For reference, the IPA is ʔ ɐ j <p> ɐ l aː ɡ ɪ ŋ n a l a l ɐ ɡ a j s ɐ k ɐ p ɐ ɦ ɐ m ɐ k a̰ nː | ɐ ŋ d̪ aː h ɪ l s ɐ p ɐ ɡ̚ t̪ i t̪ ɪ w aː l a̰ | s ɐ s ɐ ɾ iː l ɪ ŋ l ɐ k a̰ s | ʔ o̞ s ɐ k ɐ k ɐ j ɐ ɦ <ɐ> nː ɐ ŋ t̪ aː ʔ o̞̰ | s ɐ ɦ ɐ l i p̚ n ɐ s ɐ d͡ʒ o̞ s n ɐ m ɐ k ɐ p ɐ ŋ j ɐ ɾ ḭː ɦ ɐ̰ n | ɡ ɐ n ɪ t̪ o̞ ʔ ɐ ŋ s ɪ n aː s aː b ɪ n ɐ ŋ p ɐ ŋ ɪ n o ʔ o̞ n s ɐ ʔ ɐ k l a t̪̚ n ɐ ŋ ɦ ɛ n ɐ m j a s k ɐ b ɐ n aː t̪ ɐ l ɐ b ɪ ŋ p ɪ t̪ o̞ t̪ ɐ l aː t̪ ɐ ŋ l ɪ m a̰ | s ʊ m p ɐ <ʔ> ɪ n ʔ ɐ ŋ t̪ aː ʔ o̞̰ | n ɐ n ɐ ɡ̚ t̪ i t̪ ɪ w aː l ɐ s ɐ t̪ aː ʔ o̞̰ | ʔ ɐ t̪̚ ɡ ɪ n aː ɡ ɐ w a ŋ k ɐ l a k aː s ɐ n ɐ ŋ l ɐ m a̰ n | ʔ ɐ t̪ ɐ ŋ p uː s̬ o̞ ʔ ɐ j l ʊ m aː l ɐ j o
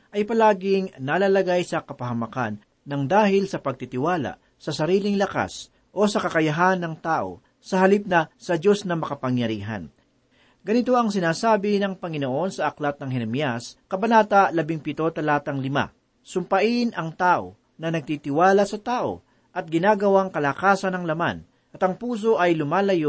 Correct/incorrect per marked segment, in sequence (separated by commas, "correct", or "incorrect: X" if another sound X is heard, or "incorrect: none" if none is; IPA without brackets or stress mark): correct, incorrect: a, correct